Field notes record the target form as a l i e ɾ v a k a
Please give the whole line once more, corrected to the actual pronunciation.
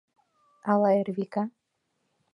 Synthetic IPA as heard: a l a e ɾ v i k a